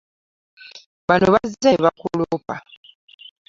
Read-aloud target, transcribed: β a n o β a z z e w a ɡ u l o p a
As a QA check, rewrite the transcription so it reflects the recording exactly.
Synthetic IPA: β a n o β a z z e β a k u l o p a